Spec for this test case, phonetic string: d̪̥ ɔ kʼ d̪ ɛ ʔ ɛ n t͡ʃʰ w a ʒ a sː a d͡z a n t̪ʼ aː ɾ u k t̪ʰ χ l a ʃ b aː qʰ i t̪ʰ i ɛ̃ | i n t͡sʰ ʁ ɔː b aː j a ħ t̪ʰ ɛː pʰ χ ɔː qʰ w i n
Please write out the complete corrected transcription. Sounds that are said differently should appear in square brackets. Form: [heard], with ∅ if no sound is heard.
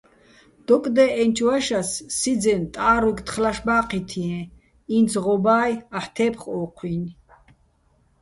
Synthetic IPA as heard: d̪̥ ɔ kʼ d̪ ɛ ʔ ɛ n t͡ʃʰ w a [ʃ] a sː [i] d͡z [ɛ] n t̪ʼ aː ɾ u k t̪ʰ χ l a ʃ b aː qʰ i t̪ʰ i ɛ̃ | i n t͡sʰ ʁ [ɔ] b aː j a ħ t̪ʰ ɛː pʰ χ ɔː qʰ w i n